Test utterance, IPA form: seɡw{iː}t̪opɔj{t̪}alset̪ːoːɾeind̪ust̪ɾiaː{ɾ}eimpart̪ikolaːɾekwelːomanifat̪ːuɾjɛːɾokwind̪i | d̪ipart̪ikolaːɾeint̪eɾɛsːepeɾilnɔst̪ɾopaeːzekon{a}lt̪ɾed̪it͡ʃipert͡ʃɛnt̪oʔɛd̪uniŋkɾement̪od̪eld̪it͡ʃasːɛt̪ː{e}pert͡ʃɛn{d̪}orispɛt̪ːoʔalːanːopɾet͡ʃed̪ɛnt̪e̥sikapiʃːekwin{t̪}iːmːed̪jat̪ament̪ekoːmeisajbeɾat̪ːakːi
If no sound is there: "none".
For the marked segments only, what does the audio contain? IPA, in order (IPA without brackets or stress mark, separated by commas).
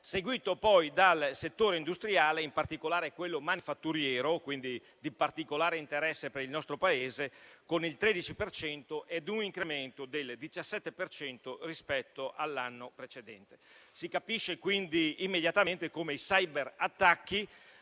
iː, d̪, l, i, e, t̪, d̪